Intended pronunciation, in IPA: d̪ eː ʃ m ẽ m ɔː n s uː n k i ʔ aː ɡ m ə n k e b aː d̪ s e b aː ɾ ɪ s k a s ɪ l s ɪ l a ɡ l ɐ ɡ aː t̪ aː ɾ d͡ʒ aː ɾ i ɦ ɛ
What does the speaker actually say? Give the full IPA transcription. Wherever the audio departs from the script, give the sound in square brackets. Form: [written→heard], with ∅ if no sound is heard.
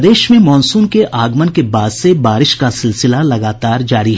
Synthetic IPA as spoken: d̪ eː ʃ m ẽ m ɔː n s uː n k [i→e] ʔ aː ɡ m ə n k e b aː d̪ s e b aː ɾ ɪ [s→ʃ] k a s ɪ l s ɪ l a [ɡ→∅] l ɐ ɡ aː t̪ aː ɾ d͡ʒ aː ɾ i ɦ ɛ